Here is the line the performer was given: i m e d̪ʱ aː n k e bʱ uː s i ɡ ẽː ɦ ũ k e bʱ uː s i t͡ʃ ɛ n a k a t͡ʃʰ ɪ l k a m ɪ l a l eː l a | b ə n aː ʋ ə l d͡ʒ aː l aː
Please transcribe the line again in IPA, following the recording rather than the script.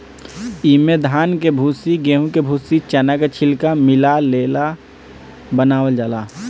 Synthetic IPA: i m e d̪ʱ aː n k e bʱ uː s i ɡ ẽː ɦ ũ k e bʱ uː s i t͡ʃ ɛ n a k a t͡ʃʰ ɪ l k a m ɪ l a l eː l a | b ə n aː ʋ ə l d͡ʒ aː l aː